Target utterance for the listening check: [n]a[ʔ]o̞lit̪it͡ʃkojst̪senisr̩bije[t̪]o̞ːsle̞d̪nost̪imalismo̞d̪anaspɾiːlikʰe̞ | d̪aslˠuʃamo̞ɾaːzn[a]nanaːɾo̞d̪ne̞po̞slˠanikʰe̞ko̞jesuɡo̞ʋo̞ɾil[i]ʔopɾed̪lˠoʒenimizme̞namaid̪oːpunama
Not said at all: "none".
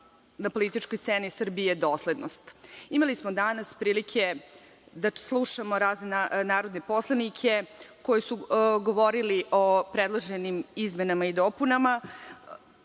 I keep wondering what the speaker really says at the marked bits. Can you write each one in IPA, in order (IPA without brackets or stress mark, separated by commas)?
n, p, d̪, e, i